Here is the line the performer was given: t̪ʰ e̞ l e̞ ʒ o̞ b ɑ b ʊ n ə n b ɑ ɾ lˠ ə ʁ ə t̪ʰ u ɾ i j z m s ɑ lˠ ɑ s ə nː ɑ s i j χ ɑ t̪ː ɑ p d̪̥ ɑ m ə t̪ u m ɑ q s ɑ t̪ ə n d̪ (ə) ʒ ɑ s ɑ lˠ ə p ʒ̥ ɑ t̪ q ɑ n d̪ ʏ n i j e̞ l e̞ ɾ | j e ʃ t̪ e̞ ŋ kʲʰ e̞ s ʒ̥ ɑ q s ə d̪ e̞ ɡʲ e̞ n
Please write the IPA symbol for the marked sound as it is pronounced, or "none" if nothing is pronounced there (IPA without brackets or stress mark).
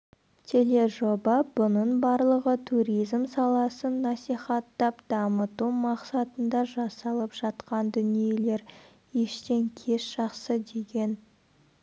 ɑ